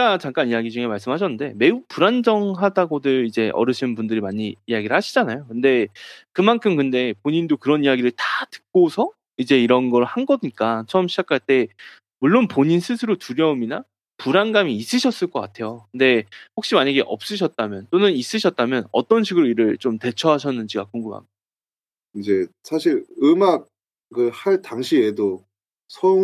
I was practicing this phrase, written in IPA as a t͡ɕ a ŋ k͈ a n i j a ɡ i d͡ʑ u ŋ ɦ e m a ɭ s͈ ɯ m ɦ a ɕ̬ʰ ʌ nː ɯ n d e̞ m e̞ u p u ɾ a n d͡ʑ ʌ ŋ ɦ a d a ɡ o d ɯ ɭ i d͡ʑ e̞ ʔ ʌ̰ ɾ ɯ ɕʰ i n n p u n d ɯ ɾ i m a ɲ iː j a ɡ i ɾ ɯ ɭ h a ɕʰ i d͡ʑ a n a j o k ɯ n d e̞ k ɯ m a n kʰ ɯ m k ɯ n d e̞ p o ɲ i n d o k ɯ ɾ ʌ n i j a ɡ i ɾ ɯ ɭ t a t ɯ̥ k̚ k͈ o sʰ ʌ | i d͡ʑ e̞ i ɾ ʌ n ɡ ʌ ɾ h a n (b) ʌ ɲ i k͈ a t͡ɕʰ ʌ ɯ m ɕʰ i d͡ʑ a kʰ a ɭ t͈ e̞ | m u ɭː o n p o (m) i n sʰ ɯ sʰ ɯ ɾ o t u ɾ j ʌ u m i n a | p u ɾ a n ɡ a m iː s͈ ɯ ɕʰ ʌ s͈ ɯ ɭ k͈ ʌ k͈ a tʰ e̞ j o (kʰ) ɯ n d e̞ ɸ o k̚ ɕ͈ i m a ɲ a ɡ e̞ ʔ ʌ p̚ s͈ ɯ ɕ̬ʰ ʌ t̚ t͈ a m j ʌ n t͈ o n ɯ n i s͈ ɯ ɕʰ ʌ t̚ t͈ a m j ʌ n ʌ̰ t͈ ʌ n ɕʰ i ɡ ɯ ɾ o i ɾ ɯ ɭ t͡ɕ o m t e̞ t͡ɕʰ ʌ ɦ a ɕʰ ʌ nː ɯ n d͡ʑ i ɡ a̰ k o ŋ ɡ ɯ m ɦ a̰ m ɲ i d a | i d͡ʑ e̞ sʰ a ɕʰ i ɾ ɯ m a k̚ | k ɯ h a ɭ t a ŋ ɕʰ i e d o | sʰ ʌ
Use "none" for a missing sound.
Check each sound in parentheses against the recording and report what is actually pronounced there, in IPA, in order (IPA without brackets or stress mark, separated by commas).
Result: ɡ, ɲ, k